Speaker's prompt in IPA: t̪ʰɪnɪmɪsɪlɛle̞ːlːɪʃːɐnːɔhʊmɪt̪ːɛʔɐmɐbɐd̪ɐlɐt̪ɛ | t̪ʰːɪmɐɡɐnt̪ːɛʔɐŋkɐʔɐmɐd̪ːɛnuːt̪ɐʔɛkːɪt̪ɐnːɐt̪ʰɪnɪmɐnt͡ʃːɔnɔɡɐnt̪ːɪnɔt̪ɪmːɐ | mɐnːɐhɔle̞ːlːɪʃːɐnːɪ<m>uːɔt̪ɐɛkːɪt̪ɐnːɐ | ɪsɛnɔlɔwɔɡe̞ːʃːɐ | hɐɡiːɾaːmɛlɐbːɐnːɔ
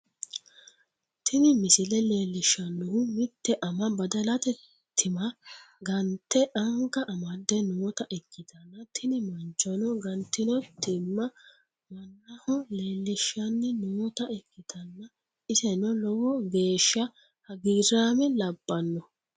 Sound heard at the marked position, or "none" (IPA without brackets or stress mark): n